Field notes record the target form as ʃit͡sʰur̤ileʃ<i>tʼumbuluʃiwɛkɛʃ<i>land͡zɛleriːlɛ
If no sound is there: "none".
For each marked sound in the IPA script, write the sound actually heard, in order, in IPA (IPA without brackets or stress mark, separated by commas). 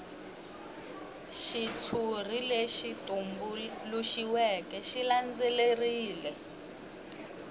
i, i